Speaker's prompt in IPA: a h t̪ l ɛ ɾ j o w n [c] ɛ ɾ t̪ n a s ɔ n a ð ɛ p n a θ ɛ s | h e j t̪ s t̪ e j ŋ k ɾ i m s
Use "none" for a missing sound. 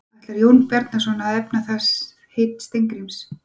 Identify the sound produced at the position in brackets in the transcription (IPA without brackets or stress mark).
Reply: p